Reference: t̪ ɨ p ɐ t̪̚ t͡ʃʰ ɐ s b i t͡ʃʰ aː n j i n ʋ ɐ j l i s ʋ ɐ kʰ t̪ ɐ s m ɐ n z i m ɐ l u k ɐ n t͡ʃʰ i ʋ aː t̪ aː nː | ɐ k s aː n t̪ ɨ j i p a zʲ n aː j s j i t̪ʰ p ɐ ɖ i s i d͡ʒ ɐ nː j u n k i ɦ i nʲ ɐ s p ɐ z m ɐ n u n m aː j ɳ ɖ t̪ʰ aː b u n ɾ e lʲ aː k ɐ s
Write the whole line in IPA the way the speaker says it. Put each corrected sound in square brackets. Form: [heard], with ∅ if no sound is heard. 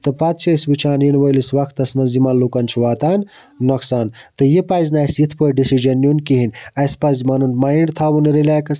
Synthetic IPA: t̪ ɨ p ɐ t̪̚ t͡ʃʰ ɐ s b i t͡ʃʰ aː n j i n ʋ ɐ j l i s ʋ ɐ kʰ t̪ ɐ s m ɐ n z i m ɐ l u k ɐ n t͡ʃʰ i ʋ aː t̪ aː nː | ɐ k s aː n t̪ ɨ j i p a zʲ n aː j s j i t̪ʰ p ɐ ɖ i s i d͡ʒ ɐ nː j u n k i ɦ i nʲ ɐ s p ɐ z m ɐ n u n m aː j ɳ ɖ t̪ʰ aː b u n ɾ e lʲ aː k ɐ s